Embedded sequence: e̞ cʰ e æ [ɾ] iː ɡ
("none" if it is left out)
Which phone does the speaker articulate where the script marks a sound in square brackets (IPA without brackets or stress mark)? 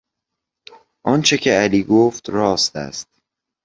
l